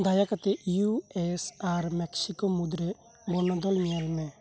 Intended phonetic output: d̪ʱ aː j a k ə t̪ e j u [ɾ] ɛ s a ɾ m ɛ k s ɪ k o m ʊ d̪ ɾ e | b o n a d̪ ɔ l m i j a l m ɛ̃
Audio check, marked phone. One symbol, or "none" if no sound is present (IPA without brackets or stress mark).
none